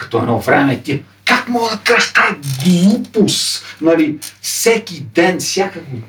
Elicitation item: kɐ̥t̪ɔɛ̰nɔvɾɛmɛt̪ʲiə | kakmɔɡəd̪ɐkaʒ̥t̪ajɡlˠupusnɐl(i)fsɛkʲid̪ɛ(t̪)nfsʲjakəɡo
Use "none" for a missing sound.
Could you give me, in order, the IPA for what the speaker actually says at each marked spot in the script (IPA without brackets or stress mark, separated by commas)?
i, none